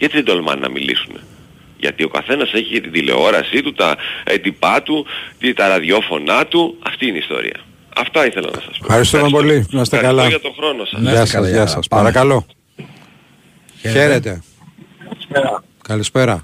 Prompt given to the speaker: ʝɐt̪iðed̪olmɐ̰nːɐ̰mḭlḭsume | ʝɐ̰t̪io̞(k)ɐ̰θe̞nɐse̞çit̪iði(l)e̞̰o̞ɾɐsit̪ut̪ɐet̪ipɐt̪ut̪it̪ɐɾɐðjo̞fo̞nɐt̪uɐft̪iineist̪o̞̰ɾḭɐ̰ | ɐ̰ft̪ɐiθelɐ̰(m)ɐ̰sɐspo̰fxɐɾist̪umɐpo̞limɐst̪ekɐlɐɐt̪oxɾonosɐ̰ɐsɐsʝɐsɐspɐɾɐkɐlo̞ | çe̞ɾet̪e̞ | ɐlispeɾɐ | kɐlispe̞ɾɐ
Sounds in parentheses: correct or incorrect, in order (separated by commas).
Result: correct, correct, incorrect